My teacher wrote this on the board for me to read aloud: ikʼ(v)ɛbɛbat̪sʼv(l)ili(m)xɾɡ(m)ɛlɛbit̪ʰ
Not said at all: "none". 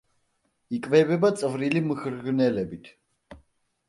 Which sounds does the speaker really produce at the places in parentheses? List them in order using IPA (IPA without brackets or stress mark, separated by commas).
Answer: v, ɾ, m, n